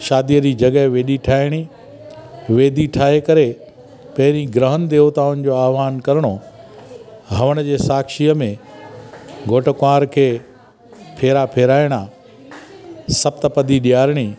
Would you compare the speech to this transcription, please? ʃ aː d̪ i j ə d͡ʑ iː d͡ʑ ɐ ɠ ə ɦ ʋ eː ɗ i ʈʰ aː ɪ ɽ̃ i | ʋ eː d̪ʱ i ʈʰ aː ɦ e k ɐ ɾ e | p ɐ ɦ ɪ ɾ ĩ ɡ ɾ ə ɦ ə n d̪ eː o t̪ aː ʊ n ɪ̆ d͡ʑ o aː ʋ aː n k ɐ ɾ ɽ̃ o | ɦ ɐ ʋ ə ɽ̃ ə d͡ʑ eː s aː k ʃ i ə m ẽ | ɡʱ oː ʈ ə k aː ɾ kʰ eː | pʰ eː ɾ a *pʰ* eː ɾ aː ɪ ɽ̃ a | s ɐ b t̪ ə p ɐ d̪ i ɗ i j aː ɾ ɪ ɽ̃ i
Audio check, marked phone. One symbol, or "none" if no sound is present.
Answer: pʰ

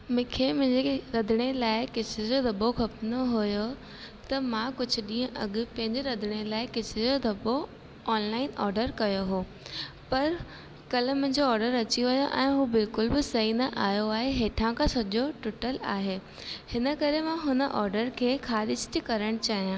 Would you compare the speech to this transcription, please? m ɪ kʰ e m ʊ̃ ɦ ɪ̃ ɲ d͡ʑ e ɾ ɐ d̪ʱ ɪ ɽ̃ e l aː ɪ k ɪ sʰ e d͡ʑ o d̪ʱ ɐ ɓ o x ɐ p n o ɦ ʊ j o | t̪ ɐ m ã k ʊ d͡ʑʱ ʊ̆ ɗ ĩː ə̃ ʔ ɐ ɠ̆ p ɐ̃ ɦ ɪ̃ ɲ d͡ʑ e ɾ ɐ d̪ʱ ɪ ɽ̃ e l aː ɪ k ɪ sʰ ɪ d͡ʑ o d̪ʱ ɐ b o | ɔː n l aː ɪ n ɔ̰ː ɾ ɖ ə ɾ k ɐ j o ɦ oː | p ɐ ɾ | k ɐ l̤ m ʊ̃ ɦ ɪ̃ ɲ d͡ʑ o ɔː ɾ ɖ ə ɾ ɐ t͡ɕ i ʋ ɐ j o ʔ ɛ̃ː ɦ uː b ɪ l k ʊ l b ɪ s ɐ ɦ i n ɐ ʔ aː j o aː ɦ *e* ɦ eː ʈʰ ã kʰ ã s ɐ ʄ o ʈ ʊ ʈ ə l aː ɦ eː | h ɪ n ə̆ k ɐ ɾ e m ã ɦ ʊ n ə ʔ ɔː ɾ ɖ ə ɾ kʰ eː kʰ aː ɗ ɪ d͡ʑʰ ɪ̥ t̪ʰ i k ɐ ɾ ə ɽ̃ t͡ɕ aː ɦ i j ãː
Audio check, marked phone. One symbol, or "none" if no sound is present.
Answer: e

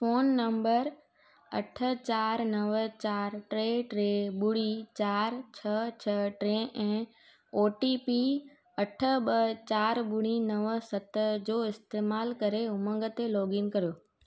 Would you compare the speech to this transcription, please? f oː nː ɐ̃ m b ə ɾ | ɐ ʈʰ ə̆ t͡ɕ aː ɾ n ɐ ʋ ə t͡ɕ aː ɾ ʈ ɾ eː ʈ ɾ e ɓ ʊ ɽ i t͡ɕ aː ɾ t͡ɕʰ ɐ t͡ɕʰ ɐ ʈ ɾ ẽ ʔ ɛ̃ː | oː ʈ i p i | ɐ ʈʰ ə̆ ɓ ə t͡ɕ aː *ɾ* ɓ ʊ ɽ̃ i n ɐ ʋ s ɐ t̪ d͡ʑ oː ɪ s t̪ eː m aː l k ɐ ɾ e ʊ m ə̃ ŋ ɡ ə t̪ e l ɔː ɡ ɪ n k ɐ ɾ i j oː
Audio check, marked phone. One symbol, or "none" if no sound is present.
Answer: ɾ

